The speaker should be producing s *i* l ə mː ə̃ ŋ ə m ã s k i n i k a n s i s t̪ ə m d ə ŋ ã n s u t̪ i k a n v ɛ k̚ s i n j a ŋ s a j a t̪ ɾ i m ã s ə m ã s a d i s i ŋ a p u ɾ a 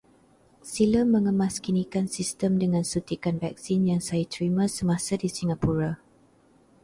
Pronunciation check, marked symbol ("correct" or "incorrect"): correct